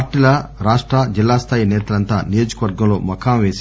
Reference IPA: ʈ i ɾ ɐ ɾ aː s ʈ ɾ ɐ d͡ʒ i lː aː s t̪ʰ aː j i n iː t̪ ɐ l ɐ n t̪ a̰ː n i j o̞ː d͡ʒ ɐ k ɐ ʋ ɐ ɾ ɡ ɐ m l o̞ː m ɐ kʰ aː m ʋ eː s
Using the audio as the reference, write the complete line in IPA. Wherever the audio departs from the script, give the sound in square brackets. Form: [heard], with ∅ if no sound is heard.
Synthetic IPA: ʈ i [l] ɐ ɾ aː [ʂ] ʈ ɾ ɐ d͡ʒ i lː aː s t̪ʰ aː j i n [ɛː] t̪ ɐ l ɐ n t̪ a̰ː n i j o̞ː d͡ʒ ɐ k ɐ ʋ ɐ ɾ ɡ ɐ m l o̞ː m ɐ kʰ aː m ʋ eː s